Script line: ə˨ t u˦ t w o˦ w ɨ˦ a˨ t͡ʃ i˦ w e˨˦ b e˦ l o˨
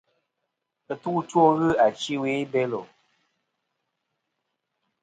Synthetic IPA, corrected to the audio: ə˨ t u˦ t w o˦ ɣ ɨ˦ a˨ t͡ʃ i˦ w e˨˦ b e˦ l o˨